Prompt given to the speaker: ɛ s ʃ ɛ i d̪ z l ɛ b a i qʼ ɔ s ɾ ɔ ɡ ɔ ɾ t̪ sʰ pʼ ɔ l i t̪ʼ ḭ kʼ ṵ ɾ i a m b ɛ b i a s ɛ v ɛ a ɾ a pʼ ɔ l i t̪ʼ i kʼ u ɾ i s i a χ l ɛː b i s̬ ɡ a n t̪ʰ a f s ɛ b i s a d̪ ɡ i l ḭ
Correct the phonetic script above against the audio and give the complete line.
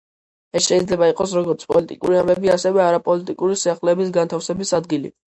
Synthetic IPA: ɛ s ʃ ɛ i d̪ z l ɛ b a i qʼ ɔ s ɾ ɔ ɡ ɔ ɾ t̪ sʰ pʼ ɔ l i t̪ʼ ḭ kʼ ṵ ɾ i a m b ɛ b i a s ɛ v ɛ a ɾ a pʼ ɔ l i t̪ʼ i kʼ u ɾ i s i a χ l ɛː b i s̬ ɡ a n t̪ʰ a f s ɛ b i s a d̪ ɡ i l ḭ